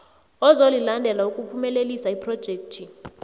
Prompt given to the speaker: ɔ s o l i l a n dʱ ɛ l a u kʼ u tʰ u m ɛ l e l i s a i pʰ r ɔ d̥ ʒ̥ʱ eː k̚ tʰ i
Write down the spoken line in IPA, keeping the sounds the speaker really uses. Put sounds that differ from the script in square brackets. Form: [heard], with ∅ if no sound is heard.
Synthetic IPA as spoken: ɔ [z] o l i l a n dʱ ɛ l a u kʼ u [pʰ] u m ɛ l e l i s a i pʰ r ɔ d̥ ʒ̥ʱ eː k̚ tʰ i

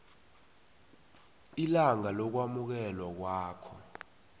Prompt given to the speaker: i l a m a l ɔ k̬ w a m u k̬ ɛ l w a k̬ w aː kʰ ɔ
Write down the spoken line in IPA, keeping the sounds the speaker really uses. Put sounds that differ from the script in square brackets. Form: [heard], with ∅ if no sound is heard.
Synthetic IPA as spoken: i l a [ŋ] a l ɔ k̬ w a m u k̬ ɛ l w a k̬ w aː kʰ ɔ

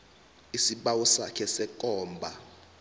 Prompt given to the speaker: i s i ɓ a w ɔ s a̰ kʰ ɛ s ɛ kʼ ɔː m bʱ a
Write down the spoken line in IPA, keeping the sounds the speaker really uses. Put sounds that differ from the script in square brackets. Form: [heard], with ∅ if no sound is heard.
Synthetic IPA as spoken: i s i ɓ a w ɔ s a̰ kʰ ɛ s ɛ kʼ ɔː m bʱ a

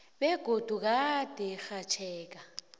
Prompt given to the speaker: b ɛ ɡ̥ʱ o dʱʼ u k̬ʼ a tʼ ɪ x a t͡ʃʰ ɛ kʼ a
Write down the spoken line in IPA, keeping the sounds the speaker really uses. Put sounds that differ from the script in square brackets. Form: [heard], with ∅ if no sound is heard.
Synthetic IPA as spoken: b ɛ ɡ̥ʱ o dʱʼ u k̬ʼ a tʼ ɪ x a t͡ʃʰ [ɛː] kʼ a

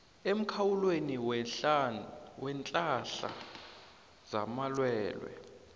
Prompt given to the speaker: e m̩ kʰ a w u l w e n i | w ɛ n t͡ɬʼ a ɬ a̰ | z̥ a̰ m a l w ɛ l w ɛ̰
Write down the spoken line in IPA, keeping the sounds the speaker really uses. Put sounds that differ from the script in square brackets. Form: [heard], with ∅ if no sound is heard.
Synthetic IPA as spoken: e m̩ kʰ a w u l w e n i | w ɛ n t͡ɬʼ a ɬ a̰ | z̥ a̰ m a l w [ɛː] l w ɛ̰

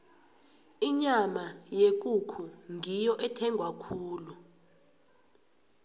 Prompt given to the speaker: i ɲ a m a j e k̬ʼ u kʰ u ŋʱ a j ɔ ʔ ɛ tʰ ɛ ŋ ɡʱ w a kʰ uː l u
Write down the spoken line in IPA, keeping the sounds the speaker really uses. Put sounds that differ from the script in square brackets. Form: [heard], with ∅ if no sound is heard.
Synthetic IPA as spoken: i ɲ a m a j e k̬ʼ u kʰ u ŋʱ [i] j ɔ ʔ ɛ tʰ ɛ ŋ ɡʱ w a kʰ uː l u

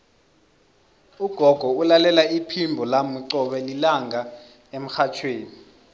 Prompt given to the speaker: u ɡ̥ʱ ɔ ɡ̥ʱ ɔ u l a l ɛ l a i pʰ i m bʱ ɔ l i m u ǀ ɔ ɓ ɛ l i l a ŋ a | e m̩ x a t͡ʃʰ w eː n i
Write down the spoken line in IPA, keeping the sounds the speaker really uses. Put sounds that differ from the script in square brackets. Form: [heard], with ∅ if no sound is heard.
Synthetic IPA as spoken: u ɡ̥ʱ ɔ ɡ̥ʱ ɔ u l a l ɛ l a i pʰ i m bʱ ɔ l [a] m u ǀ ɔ ɓ ɛ l i l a ŋ a | e m̩ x a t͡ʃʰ w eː n i

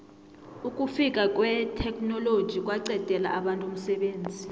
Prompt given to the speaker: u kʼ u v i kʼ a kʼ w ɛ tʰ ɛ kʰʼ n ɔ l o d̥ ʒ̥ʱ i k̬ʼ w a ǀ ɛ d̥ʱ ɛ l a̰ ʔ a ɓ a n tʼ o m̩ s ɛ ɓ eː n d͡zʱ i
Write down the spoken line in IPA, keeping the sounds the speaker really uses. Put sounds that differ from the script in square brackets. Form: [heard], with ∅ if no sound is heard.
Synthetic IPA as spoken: u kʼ u [f] i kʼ a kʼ w ɛ tʰ ɛ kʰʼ n ɔ l o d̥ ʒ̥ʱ i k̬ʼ w a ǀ ɛ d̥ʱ ɛ l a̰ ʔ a ɓ a n tʼ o m̩ s ɛ ɓ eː n d͡zʱ i

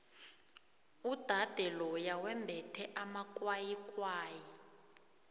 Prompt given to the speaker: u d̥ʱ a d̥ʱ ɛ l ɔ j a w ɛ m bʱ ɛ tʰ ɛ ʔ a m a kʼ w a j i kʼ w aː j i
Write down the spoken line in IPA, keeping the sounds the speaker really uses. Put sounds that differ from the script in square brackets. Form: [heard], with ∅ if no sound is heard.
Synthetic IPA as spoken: u d̥ʱ a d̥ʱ ɛ l ɔ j a w ɛ m bʱ ɛ tʰ ɛ ʔ a m a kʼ w a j i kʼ w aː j i

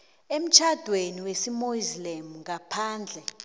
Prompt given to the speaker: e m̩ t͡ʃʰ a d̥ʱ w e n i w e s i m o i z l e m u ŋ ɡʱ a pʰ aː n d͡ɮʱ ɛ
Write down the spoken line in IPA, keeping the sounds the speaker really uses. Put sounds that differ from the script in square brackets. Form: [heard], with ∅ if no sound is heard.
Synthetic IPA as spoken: e m̩ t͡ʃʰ a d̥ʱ w e n i w e s i m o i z l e m u ŋ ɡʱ a pʰ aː n d͡ɮʱ ɛ

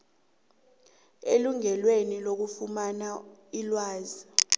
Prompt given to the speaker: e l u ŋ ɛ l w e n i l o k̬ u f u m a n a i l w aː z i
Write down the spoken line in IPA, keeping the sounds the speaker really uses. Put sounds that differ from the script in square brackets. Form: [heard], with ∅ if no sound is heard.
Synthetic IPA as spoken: e l u ŋ ɛ l w e n i l o k̬ u f u m a n a i l w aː z i

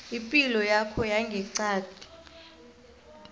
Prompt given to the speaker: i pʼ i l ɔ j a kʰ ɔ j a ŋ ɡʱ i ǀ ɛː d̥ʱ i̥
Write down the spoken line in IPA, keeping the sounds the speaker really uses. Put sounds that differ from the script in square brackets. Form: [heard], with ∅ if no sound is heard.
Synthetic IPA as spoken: i pʼ i l ɔ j a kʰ ɔ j a ŋ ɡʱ [ɛ] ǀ [aː] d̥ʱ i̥

